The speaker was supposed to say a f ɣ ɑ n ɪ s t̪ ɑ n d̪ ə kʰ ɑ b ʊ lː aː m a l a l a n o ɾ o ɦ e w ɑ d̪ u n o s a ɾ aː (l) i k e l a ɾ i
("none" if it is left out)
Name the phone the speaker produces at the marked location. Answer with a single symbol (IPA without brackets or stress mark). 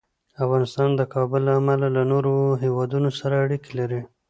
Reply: ɽ